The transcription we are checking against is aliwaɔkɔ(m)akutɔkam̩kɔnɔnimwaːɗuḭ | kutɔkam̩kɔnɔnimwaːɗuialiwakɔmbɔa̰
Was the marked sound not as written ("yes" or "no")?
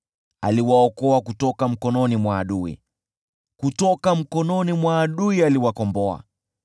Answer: yes